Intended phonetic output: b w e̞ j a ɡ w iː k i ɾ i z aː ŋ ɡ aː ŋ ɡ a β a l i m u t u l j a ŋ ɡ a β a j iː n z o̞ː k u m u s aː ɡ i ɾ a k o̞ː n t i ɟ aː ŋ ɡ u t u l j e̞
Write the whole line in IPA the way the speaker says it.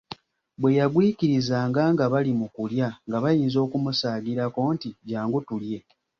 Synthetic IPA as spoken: b w e̞ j a ɡ w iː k i ɾ i z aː ŋ ɡ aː ŋ ɡ a β a l i m u k u l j a ŋ ɡ a β a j iː n z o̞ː k u m u s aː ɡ i ɾ a k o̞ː n t i ɟ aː ŋ ɡ u t u l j e̞